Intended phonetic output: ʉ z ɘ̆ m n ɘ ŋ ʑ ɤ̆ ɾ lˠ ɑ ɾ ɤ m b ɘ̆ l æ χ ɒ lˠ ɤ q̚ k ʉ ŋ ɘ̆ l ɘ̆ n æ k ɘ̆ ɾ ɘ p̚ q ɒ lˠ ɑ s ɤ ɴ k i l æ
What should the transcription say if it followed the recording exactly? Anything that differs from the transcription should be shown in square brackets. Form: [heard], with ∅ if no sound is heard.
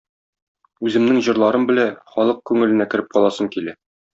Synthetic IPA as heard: ʉ z ɘ̆ m n ɘ ŋ ʑ ɤ̆ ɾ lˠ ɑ ɾ ɤ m b ɘ̆ l æ χ ɒ lˠ ɤ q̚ k ʉ ŋ ɘ̆ l ɘ̆ n æ k ɘ̆ ɾ ɘ p̚ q ɒ lˠ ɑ s ɤ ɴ k i l æ